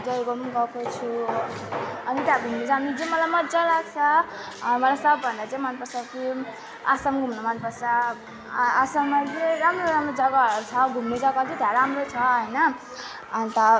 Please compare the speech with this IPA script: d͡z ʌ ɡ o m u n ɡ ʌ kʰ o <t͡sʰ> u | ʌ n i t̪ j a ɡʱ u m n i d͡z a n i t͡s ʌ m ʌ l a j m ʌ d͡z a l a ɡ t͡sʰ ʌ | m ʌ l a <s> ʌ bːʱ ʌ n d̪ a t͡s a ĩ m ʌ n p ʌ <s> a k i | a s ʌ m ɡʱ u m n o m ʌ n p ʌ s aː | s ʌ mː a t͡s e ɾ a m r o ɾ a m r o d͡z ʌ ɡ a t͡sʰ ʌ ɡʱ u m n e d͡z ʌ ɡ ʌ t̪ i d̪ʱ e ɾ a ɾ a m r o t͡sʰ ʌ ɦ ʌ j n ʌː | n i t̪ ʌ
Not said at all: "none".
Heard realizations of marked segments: t͡sʰ, s, s

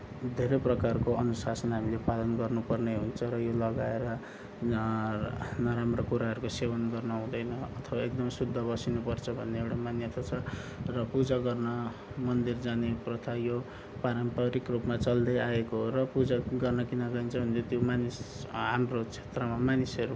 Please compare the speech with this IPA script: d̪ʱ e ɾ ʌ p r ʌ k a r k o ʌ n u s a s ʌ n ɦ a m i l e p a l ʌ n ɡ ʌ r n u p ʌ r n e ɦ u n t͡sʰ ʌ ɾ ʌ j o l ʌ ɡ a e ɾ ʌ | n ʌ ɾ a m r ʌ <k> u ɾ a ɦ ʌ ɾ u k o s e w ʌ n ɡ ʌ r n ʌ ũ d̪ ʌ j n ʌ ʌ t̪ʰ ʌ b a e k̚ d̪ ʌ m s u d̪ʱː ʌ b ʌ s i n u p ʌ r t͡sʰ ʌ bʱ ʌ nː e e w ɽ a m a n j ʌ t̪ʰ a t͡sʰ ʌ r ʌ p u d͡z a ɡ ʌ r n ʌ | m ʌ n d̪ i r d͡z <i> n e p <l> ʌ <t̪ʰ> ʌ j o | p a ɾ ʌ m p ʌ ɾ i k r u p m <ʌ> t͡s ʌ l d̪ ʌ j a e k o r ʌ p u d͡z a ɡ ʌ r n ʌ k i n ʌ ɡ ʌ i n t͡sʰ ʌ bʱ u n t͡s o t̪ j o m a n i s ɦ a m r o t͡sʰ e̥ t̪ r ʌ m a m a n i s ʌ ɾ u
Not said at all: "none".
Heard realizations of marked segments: k, a, r, t̪ʰ, a

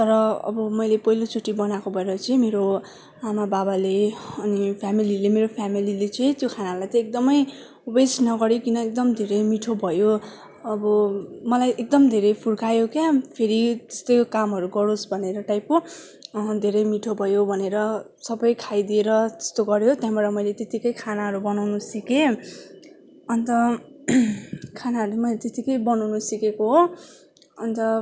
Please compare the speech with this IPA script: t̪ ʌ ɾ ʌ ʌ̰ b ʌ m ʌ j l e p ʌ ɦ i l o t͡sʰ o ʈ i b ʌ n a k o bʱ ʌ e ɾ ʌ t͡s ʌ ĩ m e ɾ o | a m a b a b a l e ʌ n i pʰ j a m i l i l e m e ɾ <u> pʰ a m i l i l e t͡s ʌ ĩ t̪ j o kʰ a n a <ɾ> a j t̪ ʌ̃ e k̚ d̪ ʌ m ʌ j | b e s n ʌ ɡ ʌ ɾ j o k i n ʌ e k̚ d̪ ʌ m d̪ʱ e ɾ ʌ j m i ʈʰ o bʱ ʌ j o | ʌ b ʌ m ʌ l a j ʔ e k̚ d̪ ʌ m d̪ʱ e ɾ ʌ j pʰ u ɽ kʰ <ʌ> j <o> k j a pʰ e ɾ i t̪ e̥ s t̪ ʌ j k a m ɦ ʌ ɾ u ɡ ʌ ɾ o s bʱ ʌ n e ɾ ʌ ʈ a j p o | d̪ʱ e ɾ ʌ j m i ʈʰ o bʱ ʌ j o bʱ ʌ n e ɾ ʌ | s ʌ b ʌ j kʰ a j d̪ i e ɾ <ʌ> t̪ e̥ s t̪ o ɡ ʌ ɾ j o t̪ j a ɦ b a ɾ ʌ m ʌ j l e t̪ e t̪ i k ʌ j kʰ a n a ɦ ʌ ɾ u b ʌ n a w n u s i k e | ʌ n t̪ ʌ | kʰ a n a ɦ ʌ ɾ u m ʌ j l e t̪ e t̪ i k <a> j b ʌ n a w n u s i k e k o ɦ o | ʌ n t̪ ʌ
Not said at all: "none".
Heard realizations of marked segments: o, l, a, o, ʌ, ʌ

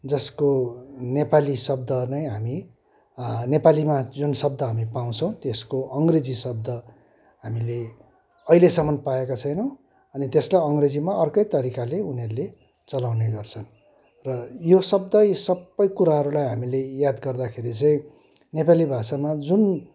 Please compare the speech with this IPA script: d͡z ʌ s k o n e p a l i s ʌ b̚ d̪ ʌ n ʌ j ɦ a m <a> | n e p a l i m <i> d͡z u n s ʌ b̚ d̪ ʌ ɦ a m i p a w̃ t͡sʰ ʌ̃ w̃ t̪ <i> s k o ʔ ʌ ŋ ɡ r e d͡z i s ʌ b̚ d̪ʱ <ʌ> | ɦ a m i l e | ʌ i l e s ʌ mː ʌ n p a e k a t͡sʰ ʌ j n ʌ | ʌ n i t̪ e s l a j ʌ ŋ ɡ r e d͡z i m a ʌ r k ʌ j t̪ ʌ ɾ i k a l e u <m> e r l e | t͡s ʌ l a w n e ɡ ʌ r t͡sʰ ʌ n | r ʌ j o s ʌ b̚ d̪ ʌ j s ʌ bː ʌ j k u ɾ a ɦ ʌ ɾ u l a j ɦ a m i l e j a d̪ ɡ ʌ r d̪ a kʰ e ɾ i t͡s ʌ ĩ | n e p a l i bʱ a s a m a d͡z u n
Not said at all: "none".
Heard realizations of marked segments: i, a, e, ʌ, n

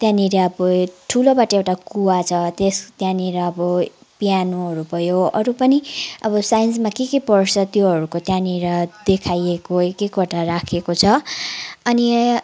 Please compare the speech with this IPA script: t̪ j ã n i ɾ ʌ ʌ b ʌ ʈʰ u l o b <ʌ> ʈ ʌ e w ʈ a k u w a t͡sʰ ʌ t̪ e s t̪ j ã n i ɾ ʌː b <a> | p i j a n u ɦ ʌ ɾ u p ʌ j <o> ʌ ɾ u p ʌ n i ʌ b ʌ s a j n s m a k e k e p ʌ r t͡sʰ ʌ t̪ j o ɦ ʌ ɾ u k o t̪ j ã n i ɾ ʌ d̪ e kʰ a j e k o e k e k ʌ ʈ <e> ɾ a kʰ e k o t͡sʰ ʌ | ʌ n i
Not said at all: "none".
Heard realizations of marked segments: a, ʌ, o, a

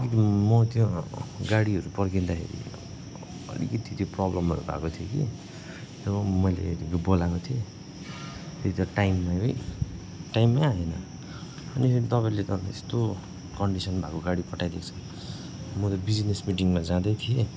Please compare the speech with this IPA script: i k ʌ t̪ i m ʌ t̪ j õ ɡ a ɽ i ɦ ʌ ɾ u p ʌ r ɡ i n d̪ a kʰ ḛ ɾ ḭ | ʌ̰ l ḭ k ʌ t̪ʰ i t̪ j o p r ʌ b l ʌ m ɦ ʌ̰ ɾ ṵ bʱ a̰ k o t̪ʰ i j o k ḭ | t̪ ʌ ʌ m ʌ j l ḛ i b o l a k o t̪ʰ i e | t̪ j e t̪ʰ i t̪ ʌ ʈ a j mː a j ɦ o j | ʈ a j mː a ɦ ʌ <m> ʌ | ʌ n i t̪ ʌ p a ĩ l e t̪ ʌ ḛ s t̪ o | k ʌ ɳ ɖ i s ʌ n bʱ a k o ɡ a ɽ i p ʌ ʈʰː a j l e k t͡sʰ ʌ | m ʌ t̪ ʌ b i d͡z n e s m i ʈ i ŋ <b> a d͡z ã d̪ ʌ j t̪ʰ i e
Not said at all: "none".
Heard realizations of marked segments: n, m

